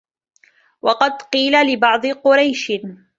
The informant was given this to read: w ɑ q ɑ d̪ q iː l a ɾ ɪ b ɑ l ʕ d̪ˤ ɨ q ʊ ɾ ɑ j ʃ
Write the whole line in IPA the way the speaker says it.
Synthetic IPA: w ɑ q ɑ d̪ q iː l a l ɪ b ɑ ʕ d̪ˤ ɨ q ʊ ɾ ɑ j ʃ